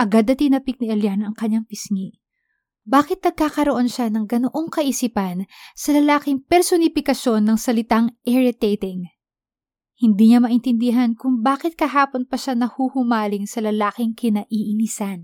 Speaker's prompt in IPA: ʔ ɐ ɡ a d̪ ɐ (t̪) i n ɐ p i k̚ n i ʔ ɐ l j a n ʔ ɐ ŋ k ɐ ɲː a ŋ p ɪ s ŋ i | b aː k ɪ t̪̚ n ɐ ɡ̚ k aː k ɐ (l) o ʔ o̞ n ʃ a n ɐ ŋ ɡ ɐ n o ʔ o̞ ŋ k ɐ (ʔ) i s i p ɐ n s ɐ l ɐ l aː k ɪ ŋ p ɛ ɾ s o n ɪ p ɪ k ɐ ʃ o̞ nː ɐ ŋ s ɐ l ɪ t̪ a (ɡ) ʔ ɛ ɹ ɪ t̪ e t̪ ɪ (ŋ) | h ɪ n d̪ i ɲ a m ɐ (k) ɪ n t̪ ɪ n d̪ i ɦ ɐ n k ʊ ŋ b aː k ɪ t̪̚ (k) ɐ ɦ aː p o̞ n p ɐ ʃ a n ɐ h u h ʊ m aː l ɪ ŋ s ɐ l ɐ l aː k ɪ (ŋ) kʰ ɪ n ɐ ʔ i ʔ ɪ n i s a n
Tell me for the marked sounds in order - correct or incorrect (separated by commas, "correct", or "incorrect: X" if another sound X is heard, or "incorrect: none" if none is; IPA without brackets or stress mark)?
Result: correct, incorrect: ɾ, correct, incorrect: ŋ, correct, incorrect: ʔ, correct, correct